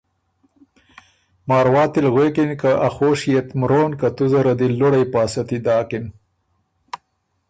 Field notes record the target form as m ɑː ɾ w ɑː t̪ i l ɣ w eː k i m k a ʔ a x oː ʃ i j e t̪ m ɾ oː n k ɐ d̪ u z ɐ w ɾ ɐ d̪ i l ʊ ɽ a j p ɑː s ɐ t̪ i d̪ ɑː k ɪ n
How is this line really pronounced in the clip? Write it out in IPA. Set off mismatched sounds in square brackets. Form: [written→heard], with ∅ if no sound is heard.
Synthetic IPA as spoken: m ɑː ɾ w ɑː t̪ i l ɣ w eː k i [m→n] k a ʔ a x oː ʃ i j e t̪ m ɾ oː n k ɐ [d̪→t̪] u z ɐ [w→∅] ɾ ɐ d̪ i l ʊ ɽ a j p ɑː s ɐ t̪ i d̪ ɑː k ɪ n